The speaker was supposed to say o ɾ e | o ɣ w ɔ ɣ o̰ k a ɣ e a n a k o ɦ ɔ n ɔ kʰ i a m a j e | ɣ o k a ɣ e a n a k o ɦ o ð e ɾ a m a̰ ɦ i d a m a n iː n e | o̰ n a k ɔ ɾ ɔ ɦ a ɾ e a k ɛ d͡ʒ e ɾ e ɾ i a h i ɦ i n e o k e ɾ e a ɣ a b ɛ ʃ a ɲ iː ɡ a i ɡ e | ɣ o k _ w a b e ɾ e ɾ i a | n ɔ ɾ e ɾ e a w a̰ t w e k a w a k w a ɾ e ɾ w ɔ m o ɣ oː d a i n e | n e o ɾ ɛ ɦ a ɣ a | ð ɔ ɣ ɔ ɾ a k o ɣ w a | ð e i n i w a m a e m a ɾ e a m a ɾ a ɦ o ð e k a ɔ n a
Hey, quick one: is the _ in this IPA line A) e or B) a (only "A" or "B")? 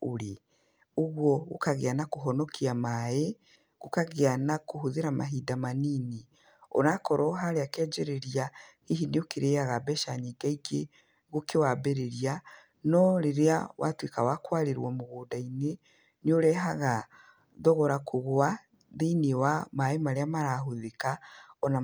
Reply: A